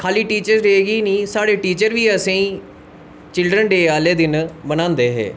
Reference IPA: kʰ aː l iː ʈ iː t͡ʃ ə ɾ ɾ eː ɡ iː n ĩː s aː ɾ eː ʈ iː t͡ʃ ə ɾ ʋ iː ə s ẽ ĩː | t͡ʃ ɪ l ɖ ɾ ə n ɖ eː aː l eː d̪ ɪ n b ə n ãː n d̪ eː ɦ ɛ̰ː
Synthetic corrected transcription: kʰ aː l iː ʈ iː t͡ʃ ə ɾ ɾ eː ɡ iː n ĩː s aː ɽ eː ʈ iː t͡ʃ ə ɾ ʋ iː ə s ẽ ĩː | t͡ʃ ɪ l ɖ ɾ ə n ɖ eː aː l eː d̪ ɪ n b ə n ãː n d̪ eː ɦ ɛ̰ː